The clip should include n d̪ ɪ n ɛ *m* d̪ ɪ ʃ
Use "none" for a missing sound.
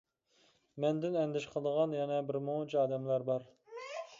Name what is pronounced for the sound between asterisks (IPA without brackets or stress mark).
n